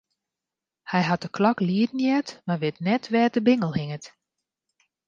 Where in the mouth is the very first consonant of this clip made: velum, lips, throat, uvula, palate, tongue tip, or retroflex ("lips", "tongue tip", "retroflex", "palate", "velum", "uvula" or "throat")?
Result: throat